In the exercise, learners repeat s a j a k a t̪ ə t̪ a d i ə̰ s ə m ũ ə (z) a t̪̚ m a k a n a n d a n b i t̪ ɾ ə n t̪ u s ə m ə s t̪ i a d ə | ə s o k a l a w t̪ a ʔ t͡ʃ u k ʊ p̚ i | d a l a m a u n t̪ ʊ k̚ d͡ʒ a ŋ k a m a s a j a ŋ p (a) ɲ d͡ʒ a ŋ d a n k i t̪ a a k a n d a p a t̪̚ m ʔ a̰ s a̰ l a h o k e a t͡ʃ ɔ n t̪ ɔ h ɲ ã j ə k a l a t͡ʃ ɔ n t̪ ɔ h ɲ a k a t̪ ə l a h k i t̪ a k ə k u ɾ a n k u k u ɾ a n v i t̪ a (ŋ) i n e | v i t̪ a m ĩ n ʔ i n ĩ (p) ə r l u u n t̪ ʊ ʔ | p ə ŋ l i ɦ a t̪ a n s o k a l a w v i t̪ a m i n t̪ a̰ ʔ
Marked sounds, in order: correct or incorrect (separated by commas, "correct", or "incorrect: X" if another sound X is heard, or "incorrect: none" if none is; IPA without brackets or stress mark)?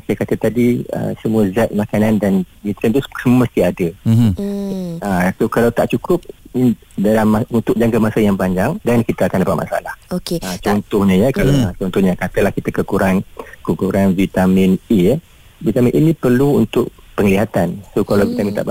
correct, correct, incorrect: m, correct